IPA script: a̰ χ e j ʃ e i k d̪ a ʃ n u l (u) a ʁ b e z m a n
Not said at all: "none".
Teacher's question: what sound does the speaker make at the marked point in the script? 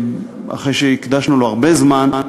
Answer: o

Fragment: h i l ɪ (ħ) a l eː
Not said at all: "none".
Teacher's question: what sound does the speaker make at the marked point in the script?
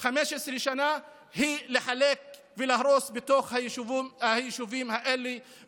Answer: ħ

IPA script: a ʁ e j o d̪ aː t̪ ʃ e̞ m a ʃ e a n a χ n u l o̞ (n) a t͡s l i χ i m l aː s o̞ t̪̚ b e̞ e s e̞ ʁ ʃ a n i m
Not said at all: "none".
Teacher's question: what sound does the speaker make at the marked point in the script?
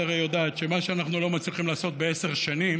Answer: m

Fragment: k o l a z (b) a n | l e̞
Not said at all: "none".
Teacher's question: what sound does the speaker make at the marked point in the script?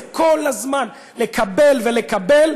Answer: m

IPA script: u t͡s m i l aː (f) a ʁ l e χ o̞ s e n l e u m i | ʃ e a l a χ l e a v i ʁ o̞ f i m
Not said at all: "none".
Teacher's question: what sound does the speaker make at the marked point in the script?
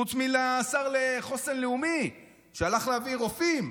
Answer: s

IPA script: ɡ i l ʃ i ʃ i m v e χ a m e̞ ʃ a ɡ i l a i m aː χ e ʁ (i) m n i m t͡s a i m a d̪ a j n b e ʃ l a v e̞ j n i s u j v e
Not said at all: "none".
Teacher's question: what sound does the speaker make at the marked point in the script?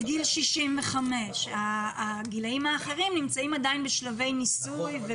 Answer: i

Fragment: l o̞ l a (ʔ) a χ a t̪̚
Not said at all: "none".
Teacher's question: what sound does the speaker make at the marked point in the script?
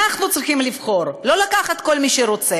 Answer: k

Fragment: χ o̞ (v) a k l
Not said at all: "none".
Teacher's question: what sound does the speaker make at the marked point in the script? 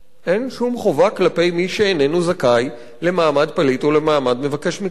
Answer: v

